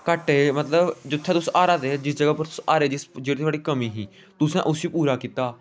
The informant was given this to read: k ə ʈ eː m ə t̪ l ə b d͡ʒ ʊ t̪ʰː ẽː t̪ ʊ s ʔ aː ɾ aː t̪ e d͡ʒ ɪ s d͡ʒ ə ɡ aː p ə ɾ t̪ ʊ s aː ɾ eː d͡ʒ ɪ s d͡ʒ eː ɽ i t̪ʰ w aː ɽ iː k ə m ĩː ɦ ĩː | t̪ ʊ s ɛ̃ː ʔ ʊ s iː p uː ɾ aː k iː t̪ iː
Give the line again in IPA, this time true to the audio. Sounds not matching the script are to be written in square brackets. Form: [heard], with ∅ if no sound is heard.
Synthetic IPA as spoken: k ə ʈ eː m ə t̪ l ə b d͡ʒ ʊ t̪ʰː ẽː t̪ ʊ s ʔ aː ɾ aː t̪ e d͡ʒ ɪ s d͡ʒ ə ɡ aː p ə ɾ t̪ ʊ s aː ɾ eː d͡ʒ ɪ s d͡ʒ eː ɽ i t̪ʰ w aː ɽ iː k ə m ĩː ɦ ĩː | t̪ ʊ s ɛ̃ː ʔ ʊ s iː p uː ɾ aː k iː t̪ [aː]